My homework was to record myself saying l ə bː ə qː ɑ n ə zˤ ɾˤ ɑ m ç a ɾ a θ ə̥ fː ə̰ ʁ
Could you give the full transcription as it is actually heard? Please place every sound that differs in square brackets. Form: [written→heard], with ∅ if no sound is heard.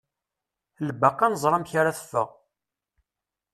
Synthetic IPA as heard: l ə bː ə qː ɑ n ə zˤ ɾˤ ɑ m ç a ɾ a θ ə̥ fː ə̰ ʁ